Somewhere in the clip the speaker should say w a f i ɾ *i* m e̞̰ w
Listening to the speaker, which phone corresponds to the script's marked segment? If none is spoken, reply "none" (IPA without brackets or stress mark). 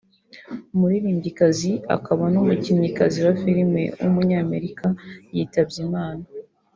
i